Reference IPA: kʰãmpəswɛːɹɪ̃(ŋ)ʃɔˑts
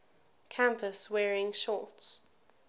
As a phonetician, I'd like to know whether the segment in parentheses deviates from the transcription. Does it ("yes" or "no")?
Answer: no